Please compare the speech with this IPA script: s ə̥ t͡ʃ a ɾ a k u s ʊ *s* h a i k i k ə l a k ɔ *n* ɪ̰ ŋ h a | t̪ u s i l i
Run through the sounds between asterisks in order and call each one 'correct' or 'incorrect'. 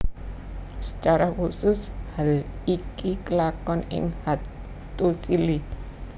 correct, correct

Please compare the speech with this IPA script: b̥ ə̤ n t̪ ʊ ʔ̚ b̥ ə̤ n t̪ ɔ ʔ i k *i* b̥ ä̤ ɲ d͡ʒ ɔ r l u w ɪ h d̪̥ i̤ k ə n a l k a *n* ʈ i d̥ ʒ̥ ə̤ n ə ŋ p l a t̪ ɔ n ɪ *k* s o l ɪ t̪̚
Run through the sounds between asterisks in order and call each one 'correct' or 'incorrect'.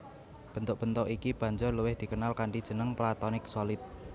correct, incorrect: ɳ, correct

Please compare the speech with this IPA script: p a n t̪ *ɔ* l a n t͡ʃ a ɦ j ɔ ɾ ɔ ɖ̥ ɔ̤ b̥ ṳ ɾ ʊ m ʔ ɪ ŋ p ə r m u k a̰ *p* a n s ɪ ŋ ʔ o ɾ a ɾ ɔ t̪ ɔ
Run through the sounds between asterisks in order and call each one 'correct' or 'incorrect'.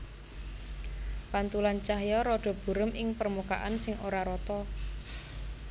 incorrect: u, incorrect: ʔ

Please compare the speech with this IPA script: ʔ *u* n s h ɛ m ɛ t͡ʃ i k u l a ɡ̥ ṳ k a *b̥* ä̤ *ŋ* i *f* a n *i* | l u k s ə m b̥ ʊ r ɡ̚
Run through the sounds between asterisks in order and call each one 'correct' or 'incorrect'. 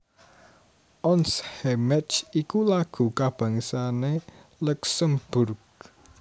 incorrect: ɔ, correct, correct, incorrect: s, incorrect: e

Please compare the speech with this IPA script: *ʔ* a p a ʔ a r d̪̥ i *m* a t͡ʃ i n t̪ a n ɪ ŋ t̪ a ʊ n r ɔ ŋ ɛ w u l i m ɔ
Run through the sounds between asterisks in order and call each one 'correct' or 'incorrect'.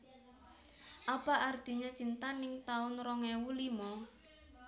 correct, incorrect: ɲ

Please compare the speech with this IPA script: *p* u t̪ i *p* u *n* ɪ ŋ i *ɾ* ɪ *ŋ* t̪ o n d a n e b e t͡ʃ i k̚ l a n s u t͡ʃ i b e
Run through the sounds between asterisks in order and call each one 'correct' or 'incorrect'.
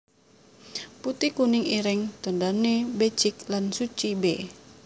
correct, incorrect: k, correct, correct, correct

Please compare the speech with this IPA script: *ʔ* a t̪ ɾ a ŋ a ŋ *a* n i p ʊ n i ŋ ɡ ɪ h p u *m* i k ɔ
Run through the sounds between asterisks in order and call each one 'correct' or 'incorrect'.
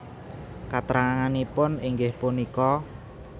incorrect: k, correct, incorrect: n

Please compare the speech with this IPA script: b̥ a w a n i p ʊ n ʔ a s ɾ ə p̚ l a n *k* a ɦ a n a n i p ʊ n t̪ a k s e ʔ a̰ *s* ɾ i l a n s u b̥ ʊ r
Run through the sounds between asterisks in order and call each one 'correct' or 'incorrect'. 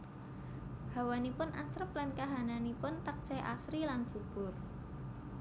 correct, correct

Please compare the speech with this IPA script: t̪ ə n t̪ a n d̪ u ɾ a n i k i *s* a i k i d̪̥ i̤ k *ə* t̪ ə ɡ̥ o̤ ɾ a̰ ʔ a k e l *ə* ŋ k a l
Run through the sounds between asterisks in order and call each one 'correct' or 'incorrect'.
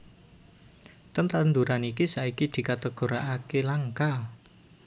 correct, incorrect: a, incorrect: a

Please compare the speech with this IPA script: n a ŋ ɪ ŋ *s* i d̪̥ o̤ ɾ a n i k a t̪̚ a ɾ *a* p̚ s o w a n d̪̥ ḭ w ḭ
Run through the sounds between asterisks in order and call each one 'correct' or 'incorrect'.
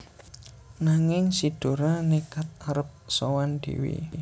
correct, incorrect: ə

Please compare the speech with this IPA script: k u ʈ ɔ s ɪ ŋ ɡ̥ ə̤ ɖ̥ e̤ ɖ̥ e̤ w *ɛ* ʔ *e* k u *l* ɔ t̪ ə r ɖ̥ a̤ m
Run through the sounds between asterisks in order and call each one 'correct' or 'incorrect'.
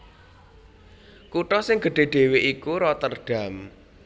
incorrect: e, incorrect: i, incorrect: ɾ

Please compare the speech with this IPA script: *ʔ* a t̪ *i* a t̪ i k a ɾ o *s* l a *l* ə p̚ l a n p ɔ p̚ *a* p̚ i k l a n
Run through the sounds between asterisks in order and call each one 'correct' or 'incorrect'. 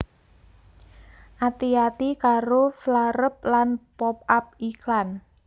correct, correct, incorrect: f, incorrect: ɾ, correct

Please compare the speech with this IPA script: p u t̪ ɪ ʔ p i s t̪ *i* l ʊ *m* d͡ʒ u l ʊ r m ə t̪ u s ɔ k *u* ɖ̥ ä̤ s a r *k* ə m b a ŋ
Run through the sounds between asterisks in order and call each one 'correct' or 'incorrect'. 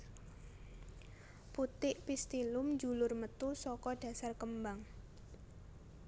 correct, correct, incorrect: ɔ, correct

